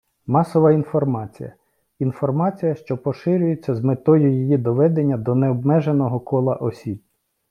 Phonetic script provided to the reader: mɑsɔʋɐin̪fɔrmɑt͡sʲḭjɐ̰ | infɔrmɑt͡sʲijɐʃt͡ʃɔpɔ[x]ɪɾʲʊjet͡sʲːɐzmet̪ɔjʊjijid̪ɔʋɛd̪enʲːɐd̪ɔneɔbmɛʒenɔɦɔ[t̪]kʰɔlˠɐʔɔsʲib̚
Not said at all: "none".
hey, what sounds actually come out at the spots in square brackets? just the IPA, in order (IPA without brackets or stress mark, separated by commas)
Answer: ʃ, none